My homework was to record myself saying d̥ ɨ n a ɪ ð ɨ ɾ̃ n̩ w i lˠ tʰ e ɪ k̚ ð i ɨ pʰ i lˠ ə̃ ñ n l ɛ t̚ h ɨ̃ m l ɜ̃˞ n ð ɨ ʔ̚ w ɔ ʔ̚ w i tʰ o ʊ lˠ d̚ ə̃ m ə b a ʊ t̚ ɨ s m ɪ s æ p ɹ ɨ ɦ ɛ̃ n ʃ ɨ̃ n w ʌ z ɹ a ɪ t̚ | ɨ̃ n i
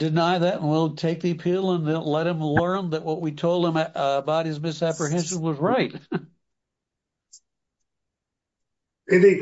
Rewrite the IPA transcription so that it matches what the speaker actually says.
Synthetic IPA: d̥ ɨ n a ɪ ð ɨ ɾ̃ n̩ w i lˠ tʰ e ɪ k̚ ð i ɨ pʰ i lˠ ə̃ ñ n l ɛ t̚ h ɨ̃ m l ɜ̃˞ n ð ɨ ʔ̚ w ʌ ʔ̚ w i tʰ o ʊ lˠ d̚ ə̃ m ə b a ʊ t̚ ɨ z m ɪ s æ p ɹ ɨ ɦ ɛ̃ n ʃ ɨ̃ n w ʌ z ɹ a ɪ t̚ | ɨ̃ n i